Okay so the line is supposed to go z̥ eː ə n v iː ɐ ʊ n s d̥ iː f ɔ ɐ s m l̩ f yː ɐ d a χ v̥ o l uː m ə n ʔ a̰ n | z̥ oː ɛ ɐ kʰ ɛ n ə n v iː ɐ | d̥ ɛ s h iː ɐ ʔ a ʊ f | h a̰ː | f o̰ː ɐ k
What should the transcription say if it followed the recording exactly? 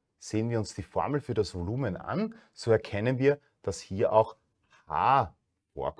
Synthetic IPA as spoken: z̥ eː ə n v iː ɐ ʊ n s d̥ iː f ɔ ɐ m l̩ f yː ɐ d a s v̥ o l uː m ə n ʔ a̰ n | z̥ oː ɛ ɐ kʰ ɛ n ə n v iː ɐ | d̥ a s h iː ɐ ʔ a ʊ x | h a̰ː | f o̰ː ɐ k